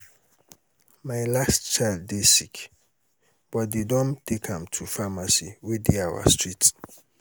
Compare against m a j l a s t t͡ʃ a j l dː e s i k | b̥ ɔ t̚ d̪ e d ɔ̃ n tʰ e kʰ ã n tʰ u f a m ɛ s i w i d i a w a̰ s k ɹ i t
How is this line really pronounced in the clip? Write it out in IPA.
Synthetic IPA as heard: m a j l a s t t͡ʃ a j l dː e s i k | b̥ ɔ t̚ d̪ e d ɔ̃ n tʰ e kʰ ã m tʰ u f a m a s i w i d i a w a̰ s t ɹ i t